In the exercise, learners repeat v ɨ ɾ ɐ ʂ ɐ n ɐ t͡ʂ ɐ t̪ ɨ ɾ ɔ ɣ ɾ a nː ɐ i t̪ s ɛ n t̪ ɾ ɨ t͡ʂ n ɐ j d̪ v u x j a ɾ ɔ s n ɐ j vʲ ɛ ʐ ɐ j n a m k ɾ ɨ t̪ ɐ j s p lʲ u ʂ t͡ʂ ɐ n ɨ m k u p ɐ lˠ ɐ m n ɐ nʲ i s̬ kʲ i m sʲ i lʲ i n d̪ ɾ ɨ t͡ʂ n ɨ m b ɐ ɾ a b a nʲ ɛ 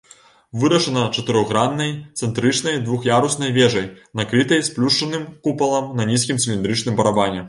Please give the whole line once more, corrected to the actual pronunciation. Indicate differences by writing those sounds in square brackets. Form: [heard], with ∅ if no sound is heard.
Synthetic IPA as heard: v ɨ ɾ ɐ ʂ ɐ n ɐ t͡ʂ ɐ t̪ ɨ ɾ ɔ ɣ ɾ a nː ɐ [j] t̪ s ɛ n t̪ ɾ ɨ t͡ʂ n ɐ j d̪ v u x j a ɾ [u] s n ɐ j vʲ ɛ ʐ ɐ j n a [∅] k ɾ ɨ t̪ ɐ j s p lʲ u ʂ t͡ʂ ɐ n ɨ m k u p ɐ lˠ ɐ m n ɐ nʲ i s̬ kʲ i m sʲ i lʲ i n d̪ ɾ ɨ t͡ʂ n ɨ m b ɐ ɾ a b a nʲ ɛ